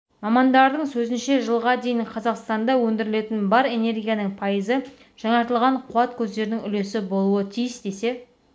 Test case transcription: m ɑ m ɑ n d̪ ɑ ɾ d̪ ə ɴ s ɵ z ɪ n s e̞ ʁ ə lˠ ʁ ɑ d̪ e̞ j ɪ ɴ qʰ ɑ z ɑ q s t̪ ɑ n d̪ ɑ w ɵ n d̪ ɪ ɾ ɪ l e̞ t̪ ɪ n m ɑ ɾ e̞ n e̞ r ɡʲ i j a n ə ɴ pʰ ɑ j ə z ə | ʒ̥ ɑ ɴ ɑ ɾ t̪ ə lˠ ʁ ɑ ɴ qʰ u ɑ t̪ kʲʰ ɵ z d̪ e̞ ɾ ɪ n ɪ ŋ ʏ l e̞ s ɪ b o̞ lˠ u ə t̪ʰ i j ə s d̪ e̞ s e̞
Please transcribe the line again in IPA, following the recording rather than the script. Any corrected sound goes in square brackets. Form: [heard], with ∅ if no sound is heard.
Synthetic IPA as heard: m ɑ m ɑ n d̪ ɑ ɾ d̪ ə ɴ s ɵ z ɪ n [ʃ] e̞ [ʒ] ə lˠ ʁ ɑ d̪ e̞ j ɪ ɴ qʰ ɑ z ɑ q s t̪ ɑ n d̪ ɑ w ɵ n d̪ ɪ ɾ ɪ l e̞ t̪ ɪ n [b] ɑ ɾ e̞ n e̞ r ɡʲ i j a n ə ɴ pʰ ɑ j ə z ə | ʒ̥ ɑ ɴ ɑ ɾ t̪ ə lˠ ʁ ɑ ɴ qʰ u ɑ t̪ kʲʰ ɵ z d̪ e̞ ɾ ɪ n ɪ ŋ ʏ l e̞ s ɪ b o̞ lˠ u ə t̪ʰ i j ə s d̪ e̞ s e̞

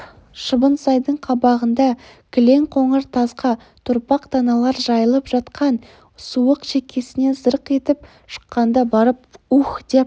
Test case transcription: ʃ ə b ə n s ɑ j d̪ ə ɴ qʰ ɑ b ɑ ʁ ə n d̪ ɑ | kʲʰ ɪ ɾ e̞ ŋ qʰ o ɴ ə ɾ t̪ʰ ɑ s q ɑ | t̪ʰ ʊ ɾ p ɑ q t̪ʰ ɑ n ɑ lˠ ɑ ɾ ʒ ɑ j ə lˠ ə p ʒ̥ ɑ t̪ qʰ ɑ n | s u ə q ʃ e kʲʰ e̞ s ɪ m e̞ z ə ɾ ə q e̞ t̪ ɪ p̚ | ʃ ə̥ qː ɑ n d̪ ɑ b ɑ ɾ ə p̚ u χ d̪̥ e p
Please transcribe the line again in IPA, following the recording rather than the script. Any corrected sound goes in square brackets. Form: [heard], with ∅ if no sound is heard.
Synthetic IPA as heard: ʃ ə b ə n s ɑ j d̪ ə ɴ qʰ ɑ b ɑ ʁ ə n d̪ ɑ | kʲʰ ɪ [l] e̞ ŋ qʰ o ɴ ə ɾ t̪ʰ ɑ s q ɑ | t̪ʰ ʊ ɾ p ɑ q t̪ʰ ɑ n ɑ lˠ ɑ ɾ ʒ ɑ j ə lˠ ə p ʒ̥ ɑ t̪ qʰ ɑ n | s u ə q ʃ e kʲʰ e̞ s ɪ [n] e̞ z ə ɾ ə q e̞ t̪ ɪ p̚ | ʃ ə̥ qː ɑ n d̪ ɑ b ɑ ɾ ə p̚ u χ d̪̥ e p

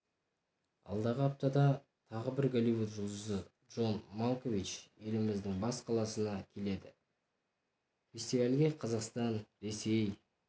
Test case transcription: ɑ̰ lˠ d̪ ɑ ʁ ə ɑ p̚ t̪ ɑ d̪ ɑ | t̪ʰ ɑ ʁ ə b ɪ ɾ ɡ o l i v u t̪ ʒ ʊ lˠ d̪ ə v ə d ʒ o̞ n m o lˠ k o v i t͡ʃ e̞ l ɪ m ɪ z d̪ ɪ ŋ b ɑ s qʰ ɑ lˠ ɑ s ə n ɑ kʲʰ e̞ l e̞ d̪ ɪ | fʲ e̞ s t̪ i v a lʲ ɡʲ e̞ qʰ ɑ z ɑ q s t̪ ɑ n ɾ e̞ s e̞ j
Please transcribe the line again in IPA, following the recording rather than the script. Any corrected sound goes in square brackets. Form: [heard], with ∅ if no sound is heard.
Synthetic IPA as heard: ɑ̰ lˠ d̪ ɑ ʁ ə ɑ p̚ t̪ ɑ d̪ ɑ | t̪ʰ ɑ ʁ ə b ɪ ɾ ɡ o l i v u t̪ ʒ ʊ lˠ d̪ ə [z] ə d ʒ o̞ n m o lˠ k o v i t͡ʃ e̞ l ɪ m ɪ z d̪ ɪ ŋ b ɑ s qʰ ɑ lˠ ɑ s ə n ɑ kʲʰ e̞ l e̞ d̪ ɪ | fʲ e̞ s t̪ i v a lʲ ɡʲ e̞ qʰ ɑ z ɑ q s t̪ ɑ n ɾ e̞ s e̞ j

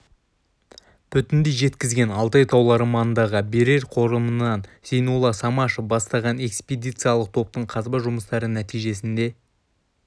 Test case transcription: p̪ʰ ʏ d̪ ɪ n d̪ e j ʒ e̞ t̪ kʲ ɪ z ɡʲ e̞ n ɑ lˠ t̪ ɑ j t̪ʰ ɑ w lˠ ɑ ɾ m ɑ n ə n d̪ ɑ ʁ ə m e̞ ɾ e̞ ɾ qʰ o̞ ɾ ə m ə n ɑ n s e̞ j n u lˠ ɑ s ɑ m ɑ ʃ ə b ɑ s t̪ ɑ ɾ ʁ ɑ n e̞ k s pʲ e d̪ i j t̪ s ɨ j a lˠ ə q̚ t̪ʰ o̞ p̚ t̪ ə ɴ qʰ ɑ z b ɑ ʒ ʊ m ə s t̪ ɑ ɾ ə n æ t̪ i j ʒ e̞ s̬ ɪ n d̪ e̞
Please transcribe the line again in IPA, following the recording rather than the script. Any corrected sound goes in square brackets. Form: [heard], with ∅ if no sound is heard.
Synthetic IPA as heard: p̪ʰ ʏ [t̪] ɪ n d̪ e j ʒ e̞ t̪ kʲ ɪ z ɡʲ e̞ n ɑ lˠ t̪ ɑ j t̪ʰ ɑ w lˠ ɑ ɾ m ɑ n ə n d̪ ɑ ʁ ə [b] e̞ ɾ e̞ ɾ qʰ o̞ ɾ ə m ə n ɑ n s e̞ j n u lˠ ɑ s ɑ m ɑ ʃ ə b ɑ s t̪ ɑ [∅] ʁ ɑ n e̞ k s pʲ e d̪ i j t̪ s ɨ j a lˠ ə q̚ t̪ʰ o̞ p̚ t̪ ə ɴ qʰ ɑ z b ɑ ʒ ʊ m ə s t̪ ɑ ɾ ə n æ t̪ i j ʒ e̞ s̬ ɪ n d̪ e̞

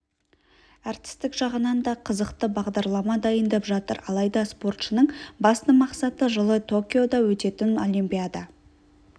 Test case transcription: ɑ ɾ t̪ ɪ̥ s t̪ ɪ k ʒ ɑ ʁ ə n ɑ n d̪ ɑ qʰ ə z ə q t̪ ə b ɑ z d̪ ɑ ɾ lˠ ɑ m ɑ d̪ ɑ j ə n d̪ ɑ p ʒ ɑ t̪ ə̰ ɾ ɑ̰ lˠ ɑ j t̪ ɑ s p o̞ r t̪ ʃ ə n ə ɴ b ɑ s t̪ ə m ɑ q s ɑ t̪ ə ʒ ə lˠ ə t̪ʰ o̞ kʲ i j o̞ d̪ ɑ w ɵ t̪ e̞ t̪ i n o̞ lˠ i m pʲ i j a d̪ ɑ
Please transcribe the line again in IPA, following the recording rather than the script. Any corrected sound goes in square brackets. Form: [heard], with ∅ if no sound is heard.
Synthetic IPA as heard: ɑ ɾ t̪ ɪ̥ s t̪ ɪ k ʒ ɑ ʁ ə n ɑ n d̪ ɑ qʰ ə z ə q t̪ ə b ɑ [ʁ] d̪ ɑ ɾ lˠ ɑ m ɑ d̪ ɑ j ə n d̪ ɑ p ʒ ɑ t̪ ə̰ ɾ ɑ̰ lˠ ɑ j [d̪] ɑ s p o̞ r t̪ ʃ ə n ə ɴ b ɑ s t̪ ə m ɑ q s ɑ t̪ ə ʒ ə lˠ ə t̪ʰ o̞ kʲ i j o̞ d̪ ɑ w ɵ t̪ e̞ t̪ [ɪ] n o̞ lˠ i m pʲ i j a d̪ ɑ

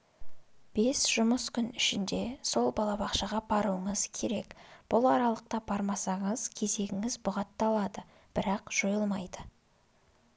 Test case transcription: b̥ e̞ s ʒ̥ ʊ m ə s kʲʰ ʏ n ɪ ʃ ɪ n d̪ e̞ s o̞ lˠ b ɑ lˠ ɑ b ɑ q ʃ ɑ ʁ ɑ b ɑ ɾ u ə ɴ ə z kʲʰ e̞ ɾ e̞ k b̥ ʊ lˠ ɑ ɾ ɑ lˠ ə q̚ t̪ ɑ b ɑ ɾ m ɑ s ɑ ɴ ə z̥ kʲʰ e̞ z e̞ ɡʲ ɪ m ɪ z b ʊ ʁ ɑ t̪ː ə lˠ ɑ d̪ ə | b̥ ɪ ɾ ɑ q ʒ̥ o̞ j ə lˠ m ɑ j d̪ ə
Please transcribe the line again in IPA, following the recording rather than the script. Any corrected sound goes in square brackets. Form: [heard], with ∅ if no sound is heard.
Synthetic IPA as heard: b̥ e̞ s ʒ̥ ʊ m ə s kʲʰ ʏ n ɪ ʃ ɪ n d̪ e̞ s o̞ lˠ b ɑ lˠ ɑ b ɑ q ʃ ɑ ʁ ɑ b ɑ ɾ u ə ɴ ə z kʲʰ e̞ ɾ e̞ k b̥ ʊ lˠ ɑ ɾ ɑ lˠ ə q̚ t̪ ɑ b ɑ ɾ m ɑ s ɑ ɴ ə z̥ kʲʰ e̞ z e̞ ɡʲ ɪ [ŋ] ɪ z b ʊ ʁ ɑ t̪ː [ɑ] lˠ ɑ d̪ ə | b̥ ɪ ɾ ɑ q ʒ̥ o̞ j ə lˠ m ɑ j d̪ ə

